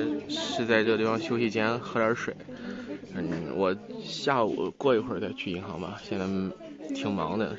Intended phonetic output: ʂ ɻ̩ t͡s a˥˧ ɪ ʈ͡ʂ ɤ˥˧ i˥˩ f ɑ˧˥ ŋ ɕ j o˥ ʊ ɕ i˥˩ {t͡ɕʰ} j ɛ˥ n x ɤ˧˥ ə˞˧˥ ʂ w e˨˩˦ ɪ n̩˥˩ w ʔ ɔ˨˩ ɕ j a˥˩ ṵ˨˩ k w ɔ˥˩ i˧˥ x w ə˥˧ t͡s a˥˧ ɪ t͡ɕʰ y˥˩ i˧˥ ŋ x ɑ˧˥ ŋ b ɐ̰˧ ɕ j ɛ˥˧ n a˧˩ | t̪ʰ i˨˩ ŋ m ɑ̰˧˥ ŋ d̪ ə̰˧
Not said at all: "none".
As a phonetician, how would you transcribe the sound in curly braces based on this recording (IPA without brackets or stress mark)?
t͡ɕ